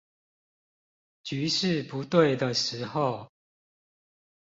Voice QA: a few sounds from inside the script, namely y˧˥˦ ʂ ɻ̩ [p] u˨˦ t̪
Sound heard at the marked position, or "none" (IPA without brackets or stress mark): p